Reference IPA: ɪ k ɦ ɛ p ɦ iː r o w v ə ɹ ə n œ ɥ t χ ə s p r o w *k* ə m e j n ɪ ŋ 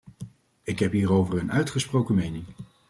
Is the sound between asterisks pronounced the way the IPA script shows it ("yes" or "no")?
yes